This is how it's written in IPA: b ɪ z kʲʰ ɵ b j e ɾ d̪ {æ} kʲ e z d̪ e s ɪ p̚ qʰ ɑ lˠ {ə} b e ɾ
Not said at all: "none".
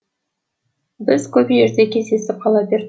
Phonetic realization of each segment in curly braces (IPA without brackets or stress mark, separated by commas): e, ɑ